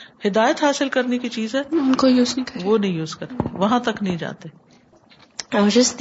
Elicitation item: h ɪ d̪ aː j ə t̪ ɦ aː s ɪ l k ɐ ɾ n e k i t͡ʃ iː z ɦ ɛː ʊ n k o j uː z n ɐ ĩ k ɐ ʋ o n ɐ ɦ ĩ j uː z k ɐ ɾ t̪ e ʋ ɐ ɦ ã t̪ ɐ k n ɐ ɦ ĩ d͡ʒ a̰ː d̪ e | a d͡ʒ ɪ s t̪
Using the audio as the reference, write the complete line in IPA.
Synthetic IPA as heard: h ɪ d̪ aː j ə t̪ ɦ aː s ɪ l k ɐ ɾ n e k i t͡ʃ iː z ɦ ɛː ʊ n k o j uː z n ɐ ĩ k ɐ ʋ o n ɐ ɦ ĩ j uː z k ɐ ɾ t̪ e ʋ ɐ ɦ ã t̪ ɐ k n ɐ ɦ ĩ d͡ʒ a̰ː t̪ e | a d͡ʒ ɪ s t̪